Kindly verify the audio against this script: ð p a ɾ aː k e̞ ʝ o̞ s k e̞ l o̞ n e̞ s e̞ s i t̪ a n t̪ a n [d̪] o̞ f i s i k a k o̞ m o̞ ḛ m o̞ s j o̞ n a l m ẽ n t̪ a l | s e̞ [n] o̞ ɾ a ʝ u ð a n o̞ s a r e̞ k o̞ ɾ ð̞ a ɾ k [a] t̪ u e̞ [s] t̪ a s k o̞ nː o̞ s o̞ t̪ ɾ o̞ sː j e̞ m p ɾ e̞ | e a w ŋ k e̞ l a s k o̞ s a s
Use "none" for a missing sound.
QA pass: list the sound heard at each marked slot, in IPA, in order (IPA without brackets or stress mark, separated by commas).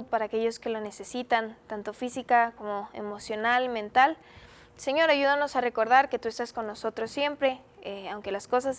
t̪, ɲ, e, s